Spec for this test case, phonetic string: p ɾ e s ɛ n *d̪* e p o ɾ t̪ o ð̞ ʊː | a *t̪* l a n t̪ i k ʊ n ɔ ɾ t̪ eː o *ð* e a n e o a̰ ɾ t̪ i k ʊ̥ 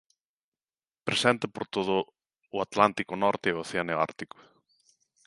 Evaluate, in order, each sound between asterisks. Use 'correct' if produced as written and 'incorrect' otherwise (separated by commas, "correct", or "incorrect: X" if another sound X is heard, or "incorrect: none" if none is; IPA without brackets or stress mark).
incorrect: t̪, correct, incorrect: θ